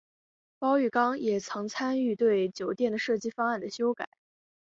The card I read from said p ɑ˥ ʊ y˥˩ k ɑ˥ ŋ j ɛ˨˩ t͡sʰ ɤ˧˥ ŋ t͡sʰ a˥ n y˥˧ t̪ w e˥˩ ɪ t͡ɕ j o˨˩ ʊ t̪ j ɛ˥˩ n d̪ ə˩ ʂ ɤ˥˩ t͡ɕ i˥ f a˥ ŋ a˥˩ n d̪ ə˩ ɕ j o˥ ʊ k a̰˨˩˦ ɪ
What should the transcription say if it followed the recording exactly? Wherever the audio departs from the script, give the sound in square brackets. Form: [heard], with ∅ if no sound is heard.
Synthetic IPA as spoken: p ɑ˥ ʊ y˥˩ k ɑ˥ ŋ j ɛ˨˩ t͡sʰ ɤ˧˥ ŋ t͡sʰ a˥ n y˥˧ t̪ w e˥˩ ɪ t͡ɕ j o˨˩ ʊ t̪ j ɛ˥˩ n d̪ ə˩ ʂ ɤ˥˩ t͡ɕ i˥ f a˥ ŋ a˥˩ n d̪ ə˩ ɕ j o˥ ʊ k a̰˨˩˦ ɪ